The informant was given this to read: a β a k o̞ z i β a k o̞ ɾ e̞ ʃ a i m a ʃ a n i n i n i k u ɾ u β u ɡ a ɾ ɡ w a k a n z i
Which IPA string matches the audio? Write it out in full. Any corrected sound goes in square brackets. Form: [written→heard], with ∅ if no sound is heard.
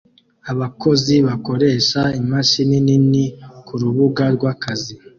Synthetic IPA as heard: a β a k o̞ z i β a k o̞ ɾ e̞ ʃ a i m a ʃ [a→i] n i n i n i k u ɾ u β u ɡ a ɾ ɡ w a k a [n→∅] z i